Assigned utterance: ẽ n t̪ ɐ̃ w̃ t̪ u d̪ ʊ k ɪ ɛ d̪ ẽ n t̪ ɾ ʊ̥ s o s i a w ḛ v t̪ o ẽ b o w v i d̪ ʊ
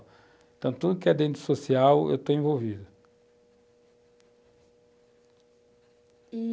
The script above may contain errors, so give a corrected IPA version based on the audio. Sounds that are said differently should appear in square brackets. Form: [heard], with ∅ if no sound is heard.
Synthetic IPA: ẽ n t̪ ɐ̃ w̃ t̪ u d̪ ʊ k ɪ ɛ d̪ ẽ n t̪ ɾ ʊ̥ s o s i a w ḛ [w] t̪ o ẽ [v] o w v i d̪ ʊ